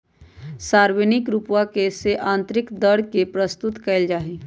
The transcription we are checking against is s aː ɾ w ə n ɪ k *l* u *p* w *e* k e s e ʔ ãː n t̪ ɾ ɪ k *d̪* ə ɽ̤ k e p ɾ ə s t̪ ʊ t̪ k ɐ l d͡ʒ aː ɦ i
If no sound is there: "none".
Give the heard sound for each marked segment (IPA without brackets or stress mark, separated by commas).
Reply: ɾ, p, a, d̪